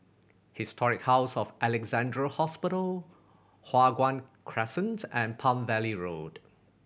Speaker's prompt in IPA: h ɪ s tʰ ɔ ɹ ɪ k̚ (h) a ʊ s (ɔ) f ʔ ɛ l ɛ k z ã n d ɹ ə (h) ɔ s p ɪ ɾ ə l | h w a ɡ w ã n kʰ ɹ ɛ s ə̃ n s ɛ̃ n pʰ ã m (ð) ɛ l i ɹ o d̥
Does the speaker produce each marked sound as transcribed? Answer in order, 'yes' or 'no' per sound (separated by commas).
yes, yes, yes, no